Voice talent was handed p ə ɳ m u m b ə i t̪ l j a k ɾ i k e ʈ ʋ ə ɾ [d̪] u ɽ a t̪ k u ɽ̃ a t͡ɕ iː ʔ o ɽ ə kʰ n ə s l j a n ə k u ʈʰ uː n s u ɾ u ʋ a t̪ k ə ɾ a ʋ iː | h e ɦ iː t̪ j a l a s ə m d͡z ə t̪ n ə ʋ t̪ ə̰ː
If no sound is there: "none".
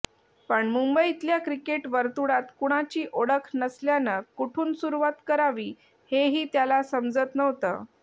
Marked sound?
t̪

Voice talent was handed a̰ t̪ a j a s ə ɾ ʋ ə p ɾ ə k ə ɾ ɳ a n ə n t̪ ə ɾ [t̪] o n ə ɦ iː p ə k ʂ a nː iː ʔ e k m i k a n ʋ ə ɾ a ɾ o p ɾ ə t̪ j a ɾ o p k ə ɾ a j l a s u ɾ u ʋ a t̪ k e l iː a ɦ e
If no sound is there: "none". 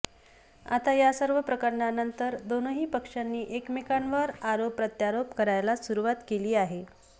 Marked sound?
d̪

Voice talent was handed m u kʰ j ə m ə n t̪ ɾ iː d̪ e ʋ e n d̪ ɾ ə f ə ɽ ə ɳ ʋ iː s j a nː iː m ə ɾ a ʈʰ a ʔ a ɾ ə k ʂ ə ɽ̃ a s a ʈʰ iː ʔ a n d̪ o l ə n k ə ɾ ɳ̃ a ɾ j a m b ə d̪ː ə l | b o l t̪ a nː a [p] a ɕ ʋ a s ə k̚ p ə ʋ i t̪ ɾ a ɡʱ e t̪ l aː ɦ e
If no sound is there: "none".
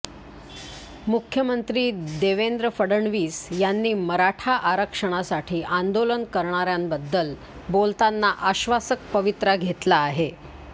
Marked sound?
ʔ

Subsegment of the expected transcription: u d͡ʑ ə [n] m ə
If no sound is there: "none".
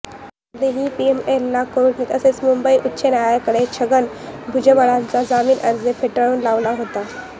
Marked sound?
none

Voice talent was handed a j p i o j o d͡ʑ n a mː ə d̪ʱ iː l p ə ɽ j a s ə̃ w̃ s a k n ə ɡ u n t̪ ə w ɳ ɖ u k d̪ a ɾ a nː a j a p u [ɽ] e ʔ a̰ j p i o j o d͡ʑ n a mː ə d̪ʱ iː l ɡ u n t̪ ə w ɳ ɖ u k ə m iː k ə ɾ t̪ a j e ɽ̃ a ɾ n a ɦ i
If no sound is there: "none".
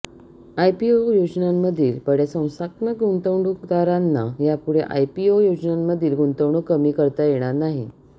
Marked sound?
ɽ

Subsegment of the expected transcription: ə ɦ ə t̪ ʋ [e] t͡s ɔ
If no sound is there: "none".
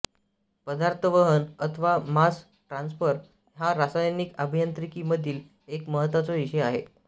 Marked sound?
a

